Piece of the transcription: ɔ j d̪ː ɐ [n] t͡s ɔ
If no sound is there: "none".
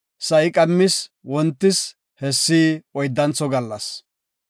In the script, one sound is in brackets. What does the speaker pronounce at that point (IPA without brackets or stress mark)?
n